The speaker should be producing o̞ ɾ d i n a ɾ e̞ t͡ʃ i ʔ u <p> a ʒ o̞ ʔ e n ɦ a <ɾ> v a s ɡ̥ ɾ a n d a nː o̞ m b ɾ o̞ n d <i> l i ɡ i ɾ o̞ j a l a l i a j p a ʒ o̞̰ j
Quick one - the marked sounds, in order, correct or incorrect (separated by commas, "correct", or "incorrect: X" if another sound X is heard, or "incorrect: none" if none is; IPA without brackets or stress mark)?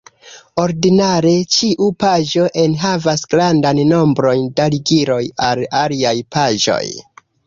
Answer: correct, incorrect: none, incorrect: a